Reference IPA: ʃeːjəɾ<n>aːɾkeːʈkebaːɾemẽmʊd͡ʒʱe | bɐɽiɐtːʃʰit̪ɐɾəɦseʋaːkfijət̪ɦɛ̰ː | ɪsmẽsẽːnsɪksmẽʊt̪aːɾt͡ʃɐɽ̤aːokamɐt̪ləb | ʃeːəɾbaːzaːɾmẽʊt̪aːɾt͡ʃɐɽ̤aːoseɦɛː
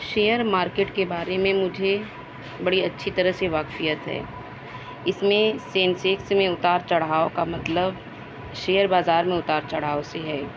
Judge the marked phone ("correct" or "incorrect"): incorrect